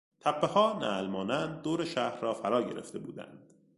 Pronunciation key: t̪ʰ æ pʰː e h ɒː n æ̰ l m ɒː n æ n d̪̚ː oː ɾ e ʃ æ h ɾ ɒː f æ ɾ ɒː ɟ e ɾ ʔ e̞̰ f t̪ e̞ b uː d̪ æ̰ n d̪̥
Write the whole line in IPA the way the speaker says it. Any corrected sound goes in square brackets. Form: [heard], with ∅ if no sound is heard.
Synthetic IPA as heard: t̪ʰ æ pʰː e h ɒː n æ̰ l m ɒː n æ n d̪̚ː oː ɾ e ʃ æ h ɾ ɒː f æ ɾ ɒː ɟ e ɾ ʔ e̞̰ f t̪ e̞ b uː d̪ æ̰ n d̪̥